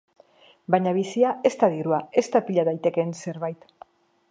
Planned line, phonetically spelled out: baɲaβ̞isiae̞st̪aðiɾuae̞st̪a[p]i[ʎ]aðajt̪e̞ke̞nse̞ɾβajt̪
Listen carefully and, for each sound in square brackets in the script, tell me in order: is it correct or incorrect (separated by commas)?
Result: correct, correct